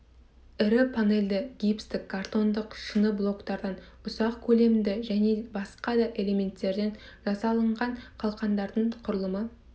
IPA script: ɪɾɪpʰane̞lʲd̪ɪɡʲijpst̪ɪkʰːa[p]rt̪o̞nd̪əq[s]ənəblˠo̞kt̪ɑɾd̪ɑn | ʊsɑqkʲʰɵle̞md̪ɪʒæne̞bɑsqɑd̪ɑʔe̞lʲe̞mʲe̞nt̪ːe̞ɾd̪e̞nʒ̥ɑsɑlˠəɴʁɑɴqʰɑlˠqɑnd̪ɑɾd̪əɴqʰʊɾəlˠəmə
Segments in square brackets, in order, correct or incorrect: incorrect: none, incorrect: ʃ

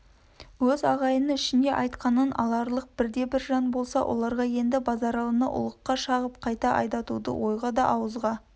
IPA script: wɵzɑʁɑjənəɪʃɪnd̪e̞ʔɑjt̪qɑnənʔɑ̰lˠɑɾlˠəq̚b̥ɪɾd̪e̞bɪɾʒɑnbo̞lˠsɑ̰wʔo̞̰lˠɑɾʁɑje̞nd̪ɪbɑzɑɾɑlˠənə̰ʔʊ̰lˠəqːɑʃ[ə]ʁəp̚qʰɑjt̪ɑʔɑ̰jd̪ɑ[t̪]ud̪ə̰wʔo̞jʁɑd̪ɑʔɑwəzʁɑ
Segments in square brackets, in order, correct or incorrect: incorrect: ɑ, correct

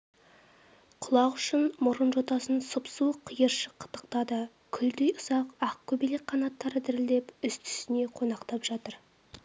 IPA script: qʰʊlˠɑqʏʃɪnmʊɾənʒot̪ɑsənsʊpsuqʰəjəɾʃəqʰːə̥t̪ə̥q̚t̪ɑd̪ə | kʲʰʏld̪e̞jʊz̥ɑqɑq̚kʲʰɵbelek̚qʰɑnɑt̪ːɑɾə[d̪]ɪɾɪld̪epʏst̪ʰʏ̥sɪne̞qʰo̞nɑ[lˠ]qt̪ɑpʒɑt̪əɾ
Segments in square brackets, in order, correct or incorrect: correct, incorrect: none

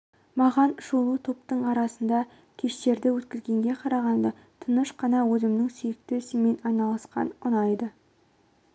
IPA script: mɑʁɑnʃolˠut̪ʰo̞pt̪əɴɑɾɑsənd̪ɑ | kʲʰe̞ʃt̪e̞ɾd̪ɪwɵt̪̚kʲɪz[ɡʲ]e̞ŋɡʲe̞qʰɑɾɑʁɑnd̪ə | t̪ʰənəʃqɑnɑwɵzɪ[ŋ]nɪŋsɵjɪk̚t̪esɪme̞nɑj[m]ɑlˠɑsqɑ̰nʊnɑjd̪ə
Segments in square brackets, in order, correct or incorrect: correct, incorrect: m, incorrect: n

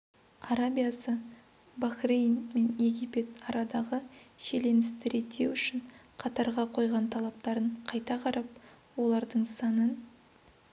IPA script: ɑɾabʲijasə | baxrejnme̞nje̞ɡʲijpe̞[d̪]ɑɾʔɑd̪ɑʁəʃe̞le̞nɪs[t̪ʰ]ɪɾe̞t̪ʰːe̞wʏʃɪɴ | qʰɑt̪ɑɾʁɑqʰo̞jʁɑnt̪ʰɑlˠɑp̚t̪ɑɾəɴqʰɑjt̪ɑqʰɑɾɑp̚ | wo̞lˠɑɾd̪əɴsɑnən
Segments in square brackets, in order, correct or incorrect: incorrect: t̪, incorrect: t̪

